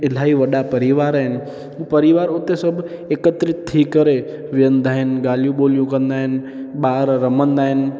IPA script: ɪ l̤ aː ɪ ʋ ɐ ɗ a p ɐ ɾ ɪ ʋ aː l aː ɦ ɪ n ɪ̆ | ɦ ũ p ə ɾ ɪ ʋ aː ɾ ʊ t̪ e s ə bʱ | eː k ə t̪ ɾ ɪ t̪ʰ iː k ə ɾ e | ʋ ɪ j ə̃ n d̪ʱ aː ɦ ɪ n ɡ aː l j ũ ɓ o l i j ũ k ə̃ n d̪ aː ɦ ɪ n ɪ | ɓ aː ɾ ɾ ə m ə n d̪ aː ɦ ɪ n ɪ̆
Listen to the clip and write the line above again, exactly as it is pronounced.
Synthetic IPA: ɪ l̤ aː i ʋ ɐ ɗ a p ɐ ɾ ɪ ʋ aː ɾ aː ɦ ɪ n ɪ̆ | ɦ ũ p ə ɾ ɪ ʋ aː ɾ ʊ t̪ e s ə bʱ | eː k ə t̪ ɾ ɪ t̪ʰ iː k ə ɾ e | ʋ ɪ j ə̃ n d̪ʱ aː ɦ ɪ n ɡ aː l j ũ ɓ o l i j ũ k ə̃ n d̪ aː ɦ ɪ n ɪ | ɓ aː ɾ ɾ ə m ə n d̪ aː ɦ ɪ n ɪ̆